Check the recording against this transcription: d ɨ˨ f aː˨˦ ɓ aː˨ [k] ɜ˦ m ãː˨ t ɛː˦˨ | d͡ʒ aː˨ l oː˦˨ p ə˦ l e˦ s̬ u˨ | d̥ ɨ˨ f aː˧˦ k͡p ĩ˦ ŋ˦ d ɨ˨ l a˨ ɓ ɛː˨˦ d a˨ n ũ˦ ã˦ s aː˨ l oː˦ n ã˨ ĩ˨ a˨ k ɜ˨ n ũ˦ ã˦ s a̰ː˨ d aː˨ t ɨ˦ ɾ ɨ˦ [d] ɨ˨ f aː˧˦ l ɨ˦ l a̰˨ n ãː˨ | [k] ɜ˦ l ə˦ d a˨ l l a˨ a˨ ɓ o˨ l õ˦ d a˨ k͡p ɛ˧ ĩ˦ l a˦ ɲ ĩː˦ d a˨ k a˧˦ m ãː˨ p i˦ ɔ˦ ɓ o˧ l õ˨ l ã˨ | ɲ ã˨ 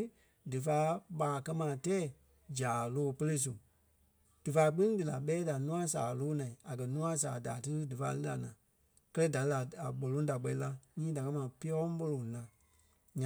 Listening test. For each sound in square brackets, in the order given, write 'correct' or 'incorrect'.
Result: correct, correct, correct

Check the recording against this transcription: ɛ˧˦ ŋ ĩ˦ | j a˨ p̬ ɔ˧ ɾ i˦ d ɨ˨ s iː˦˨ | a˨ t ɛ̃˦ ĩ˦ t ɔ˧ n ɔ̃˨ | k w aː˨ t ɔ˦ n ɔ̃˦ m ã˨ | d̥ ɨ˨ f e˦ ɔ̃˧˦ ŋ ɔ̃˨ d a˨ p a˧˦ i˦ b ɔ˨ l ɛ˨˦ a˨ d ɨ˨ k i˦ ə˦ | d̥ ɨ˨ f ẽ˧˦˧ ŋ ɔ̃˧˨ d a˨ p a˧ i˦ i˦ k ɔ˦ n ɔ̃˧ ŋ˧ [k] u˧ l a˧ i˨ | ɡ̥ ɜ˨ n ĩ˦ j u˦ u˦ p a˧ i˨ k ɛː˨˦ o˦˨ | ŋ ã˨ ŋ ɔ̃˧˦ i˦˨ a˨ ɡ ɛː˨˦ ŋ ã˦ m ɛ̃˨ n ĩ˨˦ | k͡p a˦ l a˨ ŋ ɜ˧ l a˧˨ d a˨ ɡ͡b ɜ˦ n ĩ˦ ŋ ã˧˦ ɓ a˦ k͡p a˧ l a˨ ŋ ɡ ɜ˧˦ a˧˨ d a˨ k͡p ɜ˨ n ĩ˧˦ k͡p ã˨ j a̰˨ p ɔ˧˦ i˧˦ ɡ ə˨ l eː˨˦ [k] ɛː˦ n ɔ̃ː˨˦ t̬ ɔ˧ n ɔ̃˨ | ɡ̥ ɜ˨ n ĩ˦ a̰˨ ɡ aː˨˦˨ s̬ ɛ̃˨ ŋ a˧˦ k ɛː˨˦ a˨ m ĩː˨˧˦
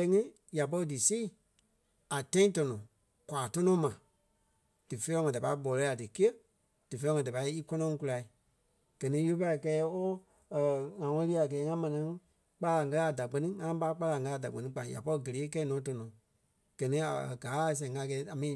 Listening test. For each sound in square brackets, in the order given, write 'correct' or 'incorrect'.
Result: correct, correct

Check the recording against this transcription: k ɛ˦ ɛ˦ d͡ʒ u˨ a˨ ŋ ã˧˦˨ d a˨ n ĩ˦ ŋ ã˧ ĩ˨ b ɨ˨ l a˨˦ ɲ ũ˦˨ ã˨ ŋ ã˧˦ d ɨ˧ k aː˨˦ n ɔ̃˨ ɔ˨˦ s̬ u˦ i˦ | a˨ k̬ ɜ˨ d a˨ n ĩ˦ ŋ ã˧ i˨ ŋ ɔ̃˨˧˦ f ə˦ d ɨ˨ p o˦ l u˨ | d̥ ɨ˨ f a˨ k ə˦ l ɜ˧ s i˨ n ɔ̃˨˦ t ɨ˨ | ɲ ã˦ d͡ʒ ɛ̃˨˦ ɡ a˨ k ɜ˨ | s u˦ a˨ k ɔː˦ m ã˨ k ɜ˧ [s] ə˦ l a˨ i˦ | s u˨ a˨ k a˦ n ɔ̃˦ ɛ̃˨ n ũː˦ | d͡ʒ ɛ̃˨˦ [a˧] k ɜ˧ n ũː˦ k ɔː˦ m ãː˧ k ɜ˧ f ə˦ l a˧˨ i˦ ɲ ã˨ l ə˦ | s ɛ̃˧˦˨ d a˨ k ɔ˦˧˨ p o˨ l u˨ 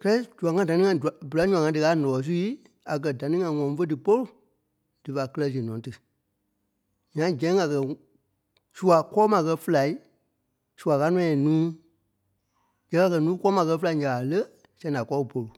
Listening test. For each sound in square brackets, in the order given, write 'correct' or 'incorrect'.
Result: incorrect: f, correct

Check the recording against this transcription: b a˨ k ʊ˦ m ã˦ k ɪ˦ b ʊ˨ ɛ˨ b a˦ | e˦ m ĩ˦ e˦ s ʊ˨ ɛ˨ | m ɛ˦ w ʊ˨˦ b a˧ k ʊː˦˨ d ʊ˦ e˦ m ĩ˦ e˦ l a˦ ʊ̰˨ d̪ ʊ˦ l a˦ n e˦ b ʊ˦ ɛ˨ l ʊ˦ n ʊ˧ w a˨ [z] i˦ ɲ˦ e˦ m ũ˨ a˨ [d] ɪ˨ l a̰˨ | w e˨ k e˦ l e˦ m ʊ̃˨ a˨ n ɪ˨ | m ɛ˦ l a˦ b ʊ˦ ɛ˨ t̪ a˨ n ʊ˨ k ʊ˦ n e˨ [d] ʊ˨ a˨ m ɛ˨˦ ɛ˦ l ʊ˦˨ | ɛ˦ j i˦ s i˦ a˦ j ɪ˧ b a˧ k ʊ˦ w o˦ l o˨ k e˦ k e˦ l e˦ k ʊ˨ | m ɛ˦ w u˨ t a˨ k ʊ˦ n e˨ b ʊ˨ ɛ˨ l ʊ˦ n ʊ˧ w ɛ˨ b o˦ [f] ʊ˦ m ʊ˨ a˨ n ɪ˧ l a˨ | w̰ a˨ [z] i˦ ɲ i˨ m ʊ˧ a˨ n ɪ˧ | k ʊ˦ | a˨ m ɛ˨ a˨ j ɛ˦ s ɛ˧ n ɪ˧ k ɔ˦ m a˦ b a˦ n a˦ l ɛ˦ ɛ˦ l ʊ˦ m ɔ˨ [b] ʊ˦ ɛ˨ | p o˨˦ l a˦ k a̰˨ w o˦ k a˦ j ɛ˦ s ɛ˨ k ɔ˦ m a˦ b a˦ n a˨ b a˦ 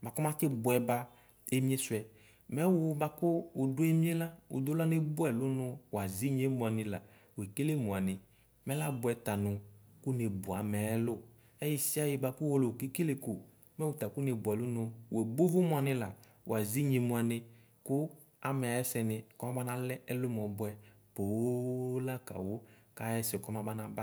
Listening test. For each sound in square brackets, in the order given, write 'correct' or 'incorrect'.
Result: correct, incorrect: n, incorrect: b, incorrect: v, correct, correct

